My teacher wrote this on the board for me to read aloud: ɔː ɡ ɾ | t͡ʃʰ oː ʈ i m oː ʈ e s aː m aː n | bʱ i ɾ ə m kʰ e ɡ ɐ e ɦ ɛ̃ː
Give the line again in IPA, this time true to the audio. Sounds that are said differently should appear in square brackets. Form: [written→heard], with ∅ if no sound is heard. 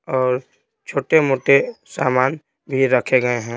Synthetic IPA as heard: ɔː [ɡ→∅] ɾ | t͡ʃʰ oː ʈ [i→e] m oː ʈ e s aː m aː n | bʱ i ɾ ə [m→∅] kʰ e ɡ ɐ e ɦ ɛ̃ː